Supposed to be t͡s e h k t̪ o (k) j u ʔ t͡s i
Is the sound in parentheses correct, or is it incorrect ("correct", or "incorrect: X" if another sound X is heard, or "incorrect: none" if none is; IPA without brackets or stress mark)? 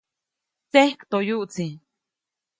incorrect: none